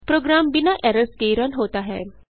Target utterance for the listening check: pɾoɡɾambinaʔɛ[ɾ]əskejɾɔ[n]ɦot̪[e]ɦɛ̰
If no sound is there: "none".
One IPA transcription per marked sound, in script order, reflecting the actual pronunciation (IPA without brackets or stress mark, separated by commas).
ɾ, n, a